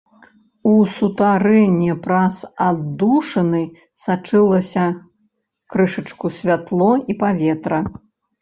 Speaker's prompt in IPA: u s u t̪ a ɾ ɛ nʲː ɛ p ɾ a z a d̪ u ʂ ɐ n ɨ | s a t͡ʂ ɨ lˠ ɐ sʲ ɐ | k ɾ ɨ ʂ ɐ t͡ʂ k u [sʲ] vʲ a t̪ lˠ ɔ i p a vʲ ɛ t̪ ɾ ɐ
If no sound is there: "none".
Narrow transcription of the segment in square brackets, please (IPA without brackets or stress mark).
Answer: sʲ